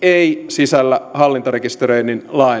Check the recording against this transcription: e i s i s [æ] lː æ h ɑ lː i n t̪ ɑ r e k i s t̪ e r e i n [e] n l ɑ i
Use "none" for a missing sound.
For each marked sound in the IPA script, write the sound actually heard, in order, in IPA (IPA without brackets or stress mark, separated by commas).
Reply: æ, i